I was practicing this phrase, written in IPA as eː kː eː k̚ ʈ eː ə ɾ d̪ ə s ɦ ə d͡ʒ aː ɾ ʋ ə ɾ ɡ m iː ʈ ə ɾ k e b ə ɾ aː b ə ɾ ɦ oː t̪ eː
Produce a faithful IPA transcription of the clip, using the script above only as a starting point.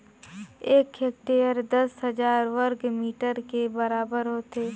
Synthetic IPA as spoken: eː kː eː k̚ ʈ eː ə ɾ d̪ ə s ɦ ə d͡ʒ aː ɾ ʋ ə ɾ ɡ m iː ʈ ə ɾ k e b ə ɾ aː b ə ɾ ɦ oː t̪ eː